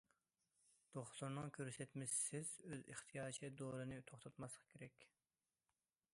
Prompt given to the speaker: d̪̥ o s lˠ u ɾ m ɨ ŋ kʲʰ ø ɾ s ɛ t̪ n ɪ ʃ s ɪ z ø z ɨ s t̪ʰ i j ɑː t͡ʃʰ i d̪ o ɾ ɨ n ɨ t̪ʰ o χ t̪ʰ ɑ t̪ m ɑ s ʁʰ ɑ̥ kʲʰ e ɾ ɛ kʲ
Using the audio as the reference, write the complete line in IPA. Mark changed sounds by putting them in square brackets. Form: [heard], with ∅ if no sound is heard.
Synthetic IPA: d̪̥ o [χ] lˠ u ɾ [n] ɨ ŋ kʲʰ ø ɾ s ɛ t̪ [m] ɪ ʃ s ɪ z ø z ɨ [χ] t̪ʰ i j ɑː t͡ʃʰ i d̪ o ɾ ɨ n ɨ t̪ʰ o χ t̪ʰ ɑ t̪ m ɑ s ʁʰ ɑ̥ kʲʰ e ɾ ɛ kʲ